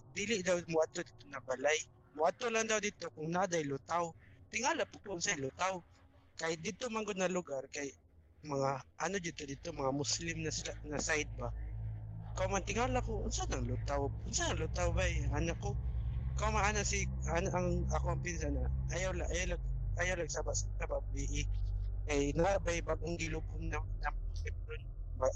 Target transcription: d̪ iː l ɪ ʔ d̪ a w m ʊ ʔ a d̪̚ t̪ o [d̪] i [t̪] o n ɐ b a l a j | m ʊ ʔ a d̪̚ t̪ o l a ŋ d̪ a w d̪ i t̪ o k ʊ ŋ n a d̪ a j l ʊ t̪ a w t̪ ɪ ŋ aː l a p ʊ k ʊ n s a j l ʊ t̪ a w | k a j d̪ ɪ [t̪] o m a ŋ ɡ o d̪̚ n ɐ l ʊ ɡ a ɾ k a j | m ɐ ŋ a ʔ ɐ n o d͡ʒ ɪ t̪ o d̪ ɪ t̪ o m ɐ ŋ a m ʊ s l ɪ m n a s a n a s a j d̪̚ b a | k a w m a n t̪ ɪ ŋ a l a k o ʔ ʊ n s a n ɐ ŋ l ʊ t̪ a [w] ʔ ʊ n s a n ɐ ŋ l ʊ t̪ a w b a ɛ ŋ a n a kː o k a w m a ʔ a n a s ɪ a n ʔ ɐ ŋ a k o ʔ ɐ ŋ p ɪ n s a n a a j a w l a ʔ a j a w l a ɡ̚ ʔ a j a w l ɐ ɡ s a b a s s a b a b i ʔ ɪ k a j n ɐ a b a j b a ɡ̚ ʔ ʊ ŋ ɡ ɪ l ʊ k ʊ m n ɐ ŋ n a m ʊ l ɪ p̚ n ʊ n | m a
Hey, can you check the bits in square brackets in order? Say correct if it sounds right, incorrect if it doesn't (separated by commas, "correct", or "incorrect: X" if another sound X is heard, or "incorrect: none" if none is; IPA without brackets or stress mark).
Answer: correct, correct, correct, correct